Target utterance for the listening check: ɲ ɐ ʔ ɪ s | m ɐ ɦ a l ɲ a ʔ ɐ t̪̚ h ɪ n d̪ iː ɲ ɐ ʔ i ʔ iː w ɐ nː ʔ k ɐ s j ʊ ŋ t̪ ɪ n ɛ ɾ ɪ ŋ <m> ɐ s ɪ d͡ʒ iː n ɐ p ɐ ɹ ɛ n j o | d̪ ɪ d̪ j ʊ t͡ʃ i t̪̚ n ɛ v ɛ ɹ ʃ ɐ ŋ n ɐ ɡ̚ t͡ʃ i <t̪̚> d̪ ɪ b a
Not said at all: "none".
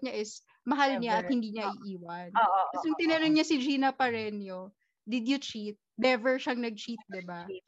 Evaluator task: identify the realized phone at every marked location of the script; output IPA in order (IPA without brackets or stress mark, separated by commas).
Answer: ɲ, t̪̚